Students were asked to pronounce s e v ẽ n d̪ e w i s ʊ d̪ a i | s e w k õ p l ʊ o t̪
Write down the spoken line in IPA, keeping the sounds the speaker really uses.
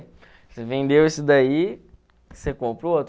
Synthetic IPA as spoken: s e v ẽ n d̪ e w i s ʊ d̪ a i | s e k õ p ɾ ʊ o t̪